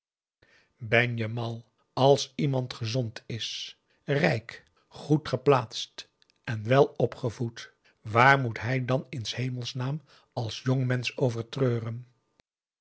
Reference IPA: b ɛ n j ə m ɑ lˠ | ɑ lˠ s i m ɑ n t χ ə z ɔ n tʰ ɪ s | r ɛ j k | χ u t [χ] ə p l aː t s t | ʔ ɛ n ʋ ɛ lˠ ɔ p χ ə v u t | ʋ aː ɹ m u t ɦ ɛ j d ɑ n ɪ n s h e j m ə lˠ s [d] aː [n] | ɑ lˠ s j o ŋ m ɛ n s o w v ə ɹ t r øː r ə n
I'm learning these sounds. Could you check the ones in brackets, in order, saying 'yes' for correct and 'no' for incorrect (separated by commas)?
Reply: yes, no, no